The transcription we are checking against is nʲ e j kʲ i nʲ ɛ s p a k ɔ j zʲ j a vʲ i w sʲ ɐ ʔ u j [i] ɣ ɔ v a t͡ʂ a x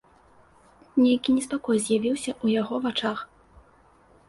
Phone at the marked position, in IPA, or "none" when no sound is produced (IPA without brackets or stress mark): a